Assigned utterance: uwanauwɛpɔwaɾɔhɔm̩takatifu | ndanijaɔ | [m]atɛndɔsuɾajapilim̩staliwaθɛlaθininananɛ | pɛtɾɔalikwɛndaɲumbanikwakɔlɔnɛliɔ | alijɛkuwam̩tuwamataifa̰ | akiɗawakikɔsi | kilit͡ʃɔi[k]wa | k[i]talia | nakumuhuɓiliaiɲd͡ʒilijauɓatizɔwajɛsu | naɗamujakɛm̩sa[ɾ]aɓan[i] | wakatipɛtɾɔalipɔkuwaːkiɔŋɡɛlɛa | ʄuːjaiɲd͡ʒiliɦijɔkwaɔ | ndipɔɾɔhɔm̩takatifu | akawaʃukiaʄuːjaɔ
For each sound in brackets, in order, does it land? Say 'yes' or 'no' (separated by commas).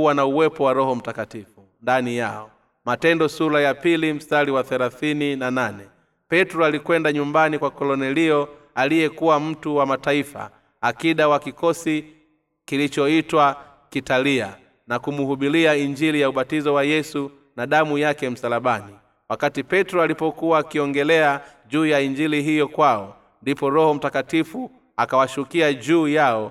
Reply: yes, no, yes, no, yes